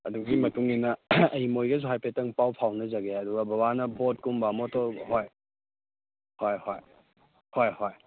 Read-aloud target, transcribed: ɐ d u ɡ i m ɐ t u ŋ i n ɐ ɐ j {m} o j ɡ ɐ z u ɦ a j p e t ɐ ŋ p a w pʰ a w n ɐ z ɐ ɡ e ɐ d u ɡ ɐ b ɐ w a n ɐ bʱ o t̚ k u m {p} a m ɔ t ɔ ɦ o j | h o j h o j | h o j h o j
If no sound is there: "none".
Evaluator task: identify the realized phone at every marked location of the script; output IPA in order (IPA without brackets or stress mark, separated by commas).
m, b